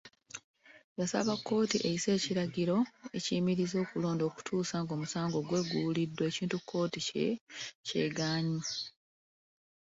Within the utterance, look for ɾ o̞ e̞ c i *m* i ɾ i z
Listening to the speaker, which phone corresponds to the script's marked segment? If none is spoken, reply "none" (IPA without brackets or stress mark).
m